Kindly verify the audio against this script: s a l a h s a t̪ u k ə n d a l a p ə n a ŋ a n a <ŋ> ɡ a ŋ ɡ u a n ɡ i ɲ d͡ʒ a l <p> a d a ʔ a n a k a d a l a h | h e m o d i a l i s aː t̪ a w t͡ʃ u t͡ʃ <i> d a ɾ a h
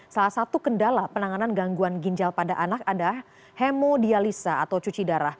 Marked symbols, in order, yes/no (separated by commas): no, yes, yes